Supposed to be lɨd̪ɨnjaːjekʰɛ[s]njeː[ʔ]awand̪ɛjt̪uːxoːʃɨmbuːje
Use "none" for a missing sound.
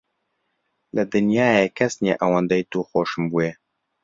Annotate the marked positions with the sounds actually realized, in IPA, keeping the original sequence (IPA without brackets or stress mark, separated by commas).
s, ʔ